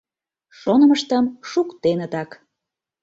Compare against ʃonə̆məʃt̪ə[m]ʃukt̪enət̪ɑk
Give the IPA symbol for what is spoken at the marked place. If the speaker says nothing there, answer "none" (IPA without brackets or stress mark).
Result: m